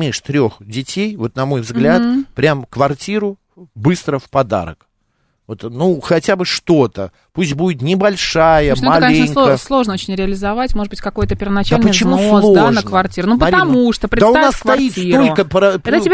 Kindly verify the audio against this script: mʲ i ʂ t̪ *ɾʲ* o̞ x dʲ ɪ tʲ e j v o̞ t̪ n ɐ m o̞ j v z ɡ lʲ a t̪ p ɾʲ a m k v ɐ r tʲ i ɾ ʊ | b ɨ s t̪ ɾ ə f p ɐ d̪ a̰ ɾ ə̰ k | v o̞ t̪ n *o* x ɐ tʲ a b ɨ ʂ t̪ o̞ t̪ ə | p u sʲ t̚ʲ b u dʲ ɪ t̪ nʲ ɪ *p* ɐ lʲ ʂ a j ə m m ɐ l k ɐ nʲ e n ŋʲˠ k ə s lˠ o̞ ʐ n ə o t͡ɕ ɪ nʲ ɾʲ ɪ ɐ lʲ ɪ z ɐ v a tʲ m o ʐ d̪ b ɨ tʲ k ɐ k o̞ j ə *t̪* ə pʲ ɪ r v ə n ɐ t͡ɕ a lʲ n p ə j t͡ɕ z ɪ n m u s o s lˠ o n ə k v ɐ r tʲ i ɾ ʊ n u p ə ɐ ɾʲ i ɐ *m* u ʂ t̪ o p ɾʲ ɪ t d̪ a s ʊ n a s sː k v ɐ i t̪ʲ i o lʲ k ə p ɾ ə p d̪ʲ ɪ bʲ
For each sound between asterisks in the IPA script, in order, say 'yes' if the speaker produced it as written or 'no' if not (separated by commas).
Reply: yes, no, no, yes, yes